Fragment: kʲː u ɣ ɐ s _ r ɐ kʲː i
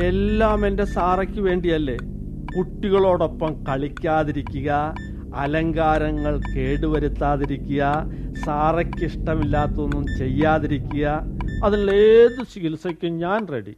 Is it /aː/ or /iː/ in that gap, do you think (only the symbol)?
aː